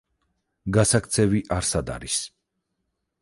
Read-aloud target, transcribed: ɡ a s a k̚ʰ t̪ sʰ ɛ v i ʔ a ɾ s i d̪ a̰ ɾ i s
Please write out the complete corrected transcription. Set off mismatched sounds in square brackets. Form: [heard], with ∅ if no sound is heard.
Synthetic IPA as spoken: ɡ a s a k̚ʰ t̪ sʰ ɛ v i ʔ a ɾ s [a] d̪ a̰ ɾ i s